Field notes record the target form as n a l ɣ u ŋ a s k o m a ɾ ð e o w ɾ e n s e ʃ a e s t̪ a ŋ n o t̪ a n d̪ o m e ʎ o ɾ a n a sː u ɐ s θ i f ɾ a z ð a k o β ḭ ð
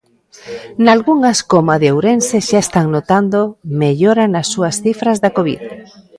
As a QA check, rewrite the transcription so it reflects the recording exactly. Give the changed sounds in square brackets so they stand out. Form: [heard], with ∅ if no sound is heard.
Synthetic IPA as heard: n a l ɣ u ŋ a s k o m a [∅] ð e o w ɾ e n s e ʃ a e s t̪ a ŋ n o t̪ a n d̪ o m e ʎ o ɾ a n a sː u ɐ s θ i f ɾ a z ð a k o β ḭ ð